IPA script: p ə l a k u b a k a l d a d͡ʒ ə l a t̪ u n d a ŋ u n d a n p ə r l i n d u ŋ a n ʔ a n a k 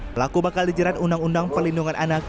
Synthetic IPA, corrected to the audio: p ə l a k u b a k a l d i d͡ʒ ə ɾ a t̪ u n d a ŋ u n d a ŋ p ə r l i n d u ŋ a n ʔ a n a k